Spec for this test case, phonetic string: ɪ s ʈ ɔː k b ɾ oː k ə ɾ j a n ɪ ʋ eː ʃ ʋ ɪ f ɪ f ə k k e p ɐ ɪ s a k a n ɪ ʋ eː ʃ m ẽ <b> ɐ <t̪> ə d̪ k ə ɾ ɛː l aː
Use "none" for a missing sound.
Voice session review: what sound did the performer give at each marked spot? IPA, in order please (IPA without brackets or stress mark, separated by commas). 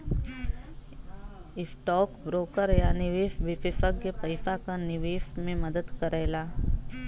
m, d̪